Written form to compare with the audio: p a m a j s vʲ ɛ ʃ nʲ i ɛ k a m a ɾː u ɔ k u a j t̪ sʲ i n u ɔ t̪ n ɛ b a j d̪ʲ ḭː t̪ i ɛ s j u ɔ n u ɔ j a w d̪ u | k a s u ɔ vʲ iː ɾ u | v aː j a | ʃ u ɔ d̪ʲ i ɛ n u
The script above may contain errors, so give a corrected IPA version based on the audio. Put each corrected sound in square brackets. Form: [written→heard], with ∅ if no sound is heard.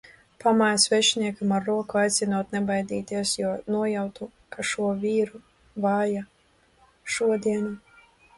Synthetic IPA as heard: p a m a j s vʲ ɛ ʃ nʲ i ɛ k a m a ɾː u ɔ k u a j t̪ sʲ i n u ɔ t̪ n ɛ b a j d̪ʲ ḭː t̪ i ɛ s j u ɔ n u ɔ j a w [d̪→t̪] u | k a [s→ʃ] u ɔ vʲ iː ɾ u | v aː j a | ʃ u ɔ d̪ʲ i ɛ n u